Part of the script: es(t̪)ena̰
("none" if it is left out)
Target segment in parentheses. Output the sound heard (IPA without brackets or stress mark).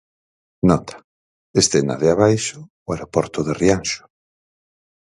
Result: t̪